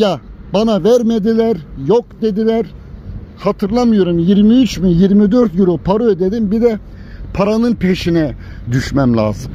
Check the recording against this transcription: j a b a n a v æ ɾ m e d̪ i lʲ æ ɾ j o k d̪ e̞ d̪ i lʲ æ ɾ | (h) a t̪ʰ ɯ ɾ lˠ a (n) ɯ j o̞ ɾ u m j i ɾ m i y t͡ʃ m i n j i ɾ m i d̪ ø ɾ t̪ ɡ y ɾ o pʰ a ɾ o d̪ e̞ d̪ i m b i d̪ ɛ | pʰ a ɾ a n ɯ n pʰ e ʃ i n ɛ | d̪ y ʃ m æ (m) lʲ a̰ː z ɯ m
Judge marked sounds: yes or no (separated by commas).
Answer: yes, no, yes